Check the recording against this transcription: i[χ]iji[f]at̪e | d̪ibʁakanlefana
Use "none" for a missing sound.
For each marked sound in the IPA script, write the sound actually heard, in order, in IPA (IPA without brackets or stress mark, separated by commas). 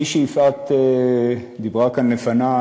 ʃ, f